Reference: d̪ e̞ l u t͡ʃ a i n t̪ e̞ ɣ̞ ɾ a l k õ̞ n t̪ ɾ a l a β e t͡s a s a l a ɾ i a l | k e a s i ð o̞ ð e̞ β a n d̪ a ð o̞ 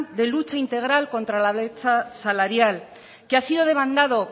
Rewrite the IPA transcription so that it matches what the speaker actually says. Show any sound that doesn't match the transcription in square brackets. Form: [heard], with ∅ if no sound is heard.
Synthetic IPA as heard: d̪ e̞ l u t͡ʃ a i n t̪ e̞ ɣ̞ ɾ a l k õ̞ n t̪ ɾ a l a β e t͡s a s a l a ɾ [j] a l | k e a s i ð o̞ ð e̞ β a n d̪ a ð o̞